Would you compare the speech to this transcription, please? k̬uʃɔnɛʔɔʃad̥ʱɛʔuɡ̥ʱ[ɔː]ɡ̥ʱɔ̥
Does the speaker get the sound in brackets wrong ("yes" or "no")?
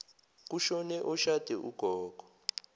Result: no